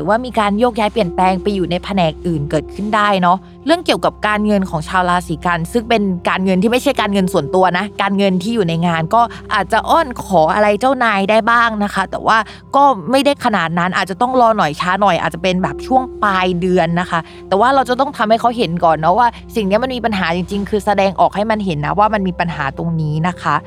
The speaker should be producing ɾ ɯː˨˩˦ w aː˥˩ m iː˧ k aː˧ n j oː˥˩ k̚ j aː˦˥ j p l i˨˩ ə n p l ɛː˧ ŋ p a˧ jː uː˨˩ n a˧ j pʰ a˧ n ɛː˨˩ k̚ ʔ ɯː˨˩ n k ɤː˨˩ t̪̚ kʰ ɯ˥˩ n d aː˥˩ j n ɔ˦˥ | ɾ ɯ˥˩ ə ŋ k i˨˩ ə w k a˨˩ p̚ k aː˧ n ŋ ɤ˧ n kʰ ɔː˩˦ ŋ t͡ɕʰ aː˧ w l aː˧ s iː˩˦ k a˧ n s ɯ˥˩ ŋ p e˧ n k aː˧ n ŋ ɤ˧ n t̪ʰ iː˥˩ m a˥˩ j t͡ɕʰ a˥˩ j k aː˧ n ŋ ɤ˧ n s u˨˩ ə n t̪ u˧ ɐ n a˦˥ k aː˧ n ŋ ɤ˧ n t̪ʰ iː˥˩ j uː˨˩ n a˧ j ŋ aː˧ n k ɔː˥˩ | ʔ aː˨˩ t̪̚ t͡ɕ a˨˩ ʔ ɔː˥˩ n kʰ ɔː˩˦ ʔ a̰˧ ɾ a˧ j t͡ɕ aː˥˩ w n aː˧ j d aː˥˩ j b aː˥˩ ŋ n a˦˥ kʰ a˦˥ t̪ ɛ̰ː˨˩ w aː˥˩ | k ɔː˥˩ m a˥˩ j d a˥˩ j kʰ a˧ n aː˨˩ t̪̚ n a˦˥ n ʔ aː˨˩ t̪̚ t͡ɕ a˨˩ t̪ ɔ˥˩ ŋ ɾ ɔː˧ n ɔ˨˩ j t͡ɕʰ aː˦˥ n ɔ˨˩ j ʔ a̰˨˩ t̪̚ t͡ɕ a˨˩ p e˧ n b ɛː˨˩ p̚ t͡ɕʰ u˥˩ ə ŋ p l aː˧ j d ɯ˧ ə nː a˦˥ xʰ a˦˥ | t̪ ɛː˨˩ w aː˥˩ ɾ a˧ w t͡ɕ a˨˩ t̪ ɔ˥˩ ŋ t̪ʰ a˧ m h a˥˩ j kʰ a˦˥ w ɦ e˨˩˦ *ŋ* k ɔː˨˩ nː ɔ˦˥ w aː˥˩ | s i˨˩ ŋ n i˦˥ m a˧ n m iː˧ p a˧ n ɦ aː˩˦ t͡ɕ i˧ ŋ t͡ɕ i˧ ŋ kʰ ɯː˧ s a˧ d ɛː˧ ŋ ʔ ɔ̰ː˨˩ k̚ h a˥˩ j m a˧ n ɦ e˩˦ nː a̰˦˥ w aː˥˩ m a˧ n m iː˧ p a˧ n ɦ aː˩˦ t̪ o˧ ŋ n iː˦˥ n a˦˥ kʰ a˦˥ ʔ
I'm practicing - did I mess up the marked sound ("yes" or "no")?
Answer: yes